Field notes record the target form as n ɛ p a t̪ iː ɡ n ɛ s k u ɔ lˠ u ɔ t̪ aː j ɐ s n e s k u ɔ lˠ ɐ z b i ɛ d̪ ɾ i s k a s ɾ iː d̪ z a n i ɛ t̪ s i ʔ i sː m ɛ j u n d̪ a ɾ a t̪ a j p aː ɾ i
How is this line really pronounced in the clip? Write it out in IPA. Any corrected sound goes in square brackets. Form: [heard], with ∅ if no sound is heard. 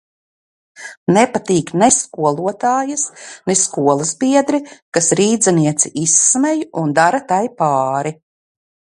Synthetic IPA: n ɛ p a t̪ iː [k] n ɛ s k u ɔ lˠ u ɔ t̪ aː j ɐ s n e s k u ɔ lˠ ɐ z b i ɛ d̪ ɾ i [∅] k a s ɾ iː d̪ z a n i ɛ t̪ s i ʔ i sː m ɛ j u n d̪ a ɾ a t̪ a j p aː ɾ i